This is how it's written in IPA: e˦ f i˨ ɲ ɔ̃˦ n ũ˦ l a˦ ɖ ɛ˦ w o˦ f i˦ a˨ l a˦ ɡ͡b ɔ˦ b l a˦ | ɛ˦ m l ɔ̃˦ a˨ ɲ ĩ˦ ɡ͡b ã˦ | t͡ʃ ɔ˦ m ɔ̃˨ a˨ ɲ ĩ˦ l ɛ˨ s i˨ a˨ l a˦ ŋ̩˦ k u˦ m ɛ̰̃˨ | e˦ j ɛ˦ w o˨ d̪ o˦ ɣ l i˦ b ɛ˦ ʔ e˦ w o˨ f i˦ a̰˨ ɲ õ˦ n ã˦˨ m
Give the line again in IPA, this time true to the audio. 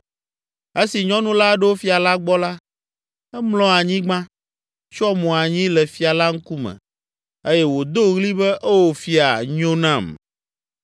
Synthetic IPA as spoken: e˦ s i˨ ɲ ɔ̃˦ n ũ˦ l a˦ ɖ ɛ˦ w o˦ f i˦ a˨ l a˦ ɡ͡b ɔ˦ l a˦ | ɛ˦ m l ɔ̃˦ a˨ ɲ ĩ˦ ɡ͡b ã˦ | t͡ʃ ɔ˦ m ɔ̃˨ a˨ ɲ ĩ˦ l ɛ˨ f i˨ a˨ l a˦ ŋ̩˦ k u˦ m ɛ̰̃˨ | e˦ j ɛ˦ w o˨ d̪ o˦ ɣ l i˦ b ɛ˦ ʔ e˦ w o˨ f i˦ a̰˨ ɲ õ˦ n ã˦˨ m

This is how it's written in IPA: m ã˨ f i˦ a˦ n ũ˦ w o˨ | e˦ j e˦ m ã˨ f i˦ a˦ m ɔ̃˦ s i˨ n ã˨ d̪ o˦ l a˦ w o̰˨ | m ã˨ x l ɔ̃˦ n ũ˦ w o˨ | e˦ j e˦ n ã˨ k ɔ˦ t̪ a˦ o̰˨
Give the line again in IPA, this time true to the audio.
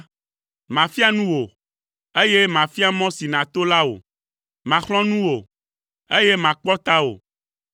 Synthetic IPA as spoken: m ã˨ f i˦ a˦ n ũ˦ w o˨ | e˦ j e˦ m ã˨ f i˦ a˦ m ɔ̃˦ s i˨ n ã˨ t̪ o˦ l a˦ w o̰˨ | m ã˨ x l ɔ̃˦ n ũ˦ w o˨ | e˦ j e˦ m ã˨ k͡p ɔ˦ t̪ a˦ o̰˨

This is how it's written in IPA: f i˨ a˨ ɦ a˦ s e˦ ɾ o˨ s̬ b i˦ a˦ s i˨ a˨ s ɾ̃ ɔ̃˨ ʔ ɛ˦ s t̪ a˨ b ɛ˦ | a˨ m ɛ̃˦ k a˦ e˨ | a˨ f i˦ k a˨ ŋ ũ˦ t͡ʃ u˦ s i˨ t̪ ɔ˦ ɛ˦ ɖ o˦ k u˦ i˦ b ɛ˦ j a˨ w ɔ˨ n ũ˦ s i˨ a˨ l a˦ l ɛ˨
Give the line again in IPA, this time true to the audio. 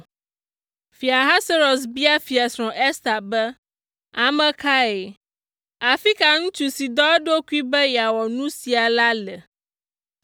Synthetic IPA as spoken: f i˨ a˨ ɦ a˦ s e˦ ɾ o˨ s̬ b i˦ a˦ f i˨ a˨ s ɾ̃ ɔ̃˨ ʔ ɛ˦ s t̪ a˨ b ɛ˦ | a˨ m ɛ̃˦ k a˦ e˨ | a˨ f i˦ k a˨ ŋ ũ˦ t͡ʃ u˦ s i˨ d̪ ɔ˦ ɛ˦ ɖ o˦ k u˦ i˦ b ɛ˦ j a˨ w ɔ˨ n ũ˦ s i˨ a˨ l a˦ l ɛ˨

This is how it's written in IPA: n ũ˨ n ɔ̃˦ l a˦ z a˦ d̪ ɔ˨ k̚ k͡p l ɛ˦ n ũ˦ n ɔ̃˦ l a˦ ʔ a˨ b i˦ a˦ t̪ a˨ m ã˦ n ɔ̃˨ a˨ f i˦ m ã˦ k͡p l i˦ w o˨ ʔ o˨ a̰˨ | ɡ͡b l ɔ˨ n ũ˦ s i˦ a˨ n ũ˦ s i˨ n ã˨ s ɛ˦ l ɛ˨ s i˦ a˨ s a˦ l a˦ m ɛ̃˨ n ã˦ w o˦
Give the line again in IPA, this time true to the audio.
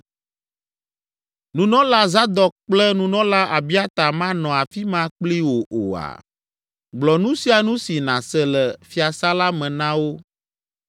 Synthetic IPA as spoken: n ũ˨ n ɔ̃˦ l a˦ z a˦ d̪ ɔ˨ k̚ k͡p l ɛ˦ n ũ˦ n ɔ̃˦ l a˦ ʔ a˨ b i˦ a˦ t̪ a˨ m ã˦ n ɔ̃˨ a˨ f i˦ m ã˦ k͡p l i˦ w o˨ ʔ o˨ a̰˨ | ɡ͡b l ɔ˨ n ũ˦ s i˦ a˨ n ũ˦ s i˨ n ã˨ s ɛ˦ l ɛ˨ f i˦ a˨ s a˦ l a˦ m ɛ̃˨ n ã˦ w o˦

